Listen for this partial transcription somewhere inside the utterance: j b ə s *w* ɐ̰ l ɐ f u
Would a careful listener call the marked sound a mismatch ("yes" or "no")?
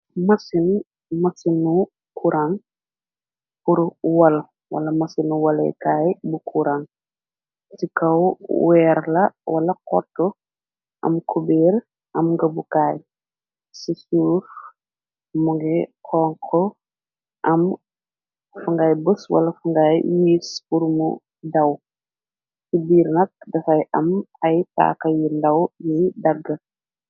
no